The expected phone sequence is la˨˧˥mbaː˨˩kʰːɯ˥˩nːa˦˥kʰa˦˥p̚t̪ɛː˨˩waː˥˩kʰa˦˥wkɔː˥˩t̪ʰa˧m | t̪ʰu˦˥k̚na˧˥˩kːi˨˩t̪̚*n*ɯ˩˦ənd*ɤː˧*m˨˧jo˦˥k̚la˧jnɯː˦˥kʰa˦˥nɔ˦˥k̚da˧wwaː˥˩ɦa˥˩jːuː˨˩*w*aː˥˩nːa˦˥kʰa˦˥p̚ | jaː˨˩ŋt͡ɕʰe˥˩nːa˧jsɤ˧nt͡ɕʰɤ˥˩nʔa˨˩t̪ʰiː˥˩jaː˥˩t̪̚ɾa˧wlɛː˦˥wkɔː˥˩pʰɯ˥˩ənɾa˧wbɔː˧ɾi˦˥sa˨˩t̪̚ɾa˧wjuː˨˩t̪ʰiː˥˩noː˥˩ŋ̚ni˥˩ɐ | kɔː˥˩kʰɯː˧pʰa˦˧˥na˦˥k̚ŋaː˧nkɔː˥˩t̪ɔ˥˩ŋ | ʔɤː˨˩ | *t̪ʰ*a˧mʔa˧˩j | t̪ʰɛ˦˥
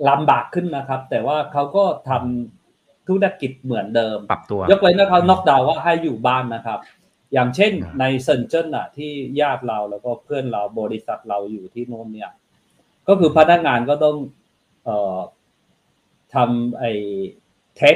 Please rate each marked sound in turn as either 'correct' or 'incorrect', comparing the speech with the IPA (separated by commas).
incorrect, correct, incorrect, correct